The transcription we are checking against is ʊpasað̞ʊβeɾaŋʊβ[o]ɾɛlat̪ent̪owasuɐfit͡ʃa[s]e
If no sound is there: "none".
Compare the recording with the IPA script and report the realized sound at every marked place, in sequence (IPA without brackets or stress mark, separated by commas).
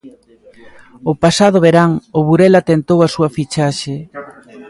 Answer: u, ʃ